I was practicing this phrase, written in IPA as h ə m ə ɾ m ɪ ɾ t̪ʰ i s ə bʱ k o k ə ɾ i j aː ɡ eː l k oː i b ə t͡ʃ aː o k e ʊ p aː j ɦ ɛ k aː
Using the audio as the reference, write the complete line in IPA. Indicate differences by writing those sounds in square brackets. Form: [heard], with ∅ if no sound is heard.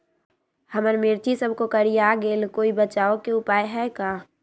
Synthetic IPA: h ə m ə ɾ m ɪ ɾ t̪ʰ i s ə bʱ k o k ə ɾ i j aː ɡ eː l k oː i b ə t͡ʃ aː o k e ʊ p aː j ɦ ɛ k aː

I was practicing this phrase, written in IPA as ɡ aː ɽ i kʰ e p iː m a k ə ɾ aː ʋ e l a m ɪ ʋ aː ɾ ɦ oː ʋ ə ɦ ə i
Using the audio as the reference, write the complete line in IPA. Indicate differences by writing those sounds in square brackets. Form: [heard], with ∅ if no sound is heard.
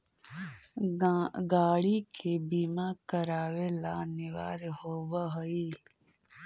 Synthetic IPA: ɡ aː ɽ i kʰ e [b] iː m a k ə ɾ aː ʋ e l a [n] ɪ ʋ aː ɾ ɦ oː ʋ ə ɦ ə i

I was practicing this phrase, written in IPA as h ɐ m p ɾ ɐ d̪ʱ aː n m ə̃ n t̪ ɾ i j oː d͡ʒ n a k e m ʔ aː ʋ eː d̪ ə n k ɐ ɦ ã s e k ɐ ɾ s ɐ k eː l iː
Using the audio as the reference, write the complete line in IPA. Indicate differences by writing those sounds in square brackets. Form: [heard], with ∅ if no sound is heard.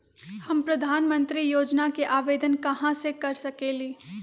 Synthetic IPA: h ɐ m p ɾ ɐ d̪ʱ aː n m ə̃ n t̪ ɾ i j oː d͡ʒ n a k e [∅] ʔ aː ʋ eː d̪ ə n k ɐ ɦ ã s e k ɐ ɾ s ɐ k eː l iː

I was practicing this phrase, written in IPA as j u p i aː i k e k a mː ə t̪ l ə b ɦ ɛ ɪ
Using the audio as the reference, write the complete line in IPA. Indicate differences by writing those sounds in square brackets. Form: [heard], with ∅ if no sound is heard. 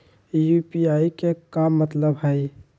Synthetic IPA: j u p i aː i k e k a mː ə t̪ l ə b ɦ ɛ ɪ

